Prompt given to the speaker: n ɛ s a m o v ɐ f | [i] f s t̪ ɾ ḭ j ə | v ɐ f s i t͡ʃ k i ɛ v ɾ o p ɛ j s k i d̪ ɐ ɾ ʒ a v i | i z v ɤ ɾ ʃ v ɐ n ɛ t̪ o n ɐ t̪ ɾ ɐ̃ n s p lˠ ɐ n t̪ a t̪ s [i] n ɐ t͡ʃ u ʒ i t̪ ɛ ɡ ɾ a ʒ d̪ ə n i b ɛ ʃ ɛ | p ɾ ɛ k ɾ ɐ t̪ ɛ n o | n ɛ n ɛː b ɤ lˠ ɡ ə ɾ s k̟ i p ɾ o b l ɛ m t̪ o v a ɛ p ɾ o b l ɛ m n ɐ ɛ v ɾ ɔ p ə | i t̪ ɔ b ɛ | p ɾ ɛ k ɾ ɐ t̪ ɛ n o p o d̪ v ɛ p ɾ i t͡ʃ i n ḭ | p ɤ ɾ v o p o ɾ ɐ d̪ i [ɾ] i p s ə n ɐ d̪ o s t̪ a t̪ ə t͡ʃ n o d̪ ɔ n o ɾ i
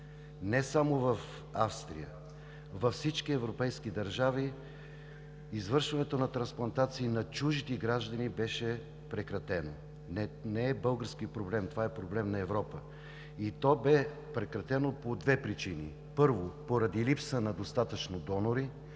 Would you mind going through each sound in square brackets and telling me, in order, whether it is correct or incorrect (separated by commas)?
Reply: incorrect, incorrect, incorrect